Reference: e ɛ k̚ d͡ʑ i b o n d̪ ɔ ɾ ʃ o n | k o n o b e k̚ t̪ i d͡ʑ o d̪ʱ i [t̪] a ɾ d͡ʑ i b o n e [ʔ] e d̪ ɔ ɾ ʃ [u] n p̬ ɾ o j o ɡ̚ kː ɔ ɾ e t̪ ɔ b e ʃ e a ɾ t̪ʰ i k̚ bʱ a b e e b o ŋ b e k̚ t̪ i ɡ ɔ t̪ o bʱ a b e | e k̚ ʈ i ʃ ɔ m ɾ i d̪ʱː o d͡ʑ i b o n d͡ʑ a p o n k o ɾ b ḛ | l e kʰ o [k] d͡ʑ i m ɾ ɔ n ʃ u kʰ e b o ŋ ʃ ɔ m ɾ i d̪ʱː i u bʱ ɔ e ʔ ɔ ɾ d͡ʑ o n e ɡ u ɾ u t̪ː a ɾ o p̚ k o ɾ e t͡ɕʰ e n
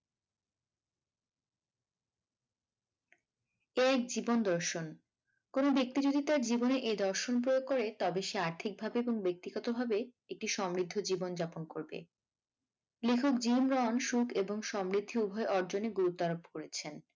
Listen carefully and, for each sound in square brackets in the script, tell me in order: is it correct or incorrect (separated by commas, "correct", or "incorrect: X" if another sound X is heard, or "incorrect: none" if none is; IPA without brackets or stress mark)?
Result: correct, correct, incorrect: o, correct